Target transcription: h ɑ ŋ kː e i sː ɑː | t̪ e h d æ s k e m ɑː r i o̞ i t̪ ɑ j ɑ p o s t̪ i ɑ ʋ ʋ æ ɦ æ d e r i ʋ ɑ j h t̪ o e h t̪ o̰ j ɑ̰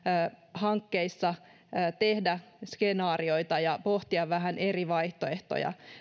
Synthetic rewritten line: h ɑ ŋ kː e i sː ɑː | t̪ e h d æ s k e n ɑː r i o̞ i t̪ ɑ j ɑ p o h t̪ i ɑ ʋ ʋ æ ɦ æ n e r i ʋ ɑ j h t̪ o e h t̪ o̰ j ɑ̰